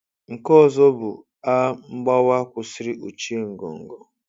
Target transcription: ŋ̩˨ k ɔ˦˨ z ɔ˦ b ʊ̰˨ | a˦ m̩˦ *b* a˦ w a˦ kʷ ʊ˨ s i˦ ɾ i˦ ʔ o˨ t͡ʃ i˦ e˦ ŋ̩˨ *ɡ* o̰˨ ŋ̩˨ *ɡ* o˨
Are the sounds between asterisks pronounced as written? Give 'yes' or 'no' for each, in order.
no, yes, yes

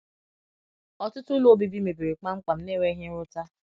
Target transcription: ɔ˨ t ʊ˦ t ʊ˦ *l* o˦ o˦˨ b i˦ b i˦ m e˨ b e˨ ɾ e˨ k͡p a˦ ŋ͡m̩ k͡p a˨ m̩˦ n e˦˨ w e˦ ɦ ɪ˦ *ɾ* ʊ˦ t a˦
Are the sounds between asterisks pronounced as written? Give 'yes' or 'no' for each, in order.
yes, yes

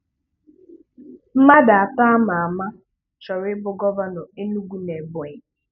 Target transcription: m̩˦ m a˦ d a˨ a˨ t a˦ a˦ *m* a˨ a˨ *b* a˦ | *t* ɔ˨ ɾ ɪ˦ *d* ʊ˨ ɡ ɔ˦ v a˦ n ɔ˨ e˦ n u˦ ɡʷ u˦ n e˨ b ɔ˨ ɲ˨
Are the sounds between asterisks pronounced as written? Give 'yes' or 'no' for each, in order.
yes, no, no, no

